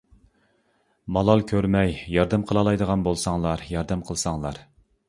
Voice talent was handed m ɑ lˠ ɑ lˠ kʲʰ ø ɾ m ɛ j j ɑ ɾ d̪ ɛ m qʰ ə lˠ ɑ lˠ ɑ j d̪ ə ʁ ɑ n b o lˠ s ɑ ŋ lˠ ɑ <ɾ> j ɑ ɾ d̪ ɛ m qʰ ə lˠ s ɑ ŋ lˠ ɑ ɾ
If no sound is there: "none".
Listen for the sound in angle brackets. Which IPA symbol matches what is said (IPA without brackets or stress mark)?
ɾ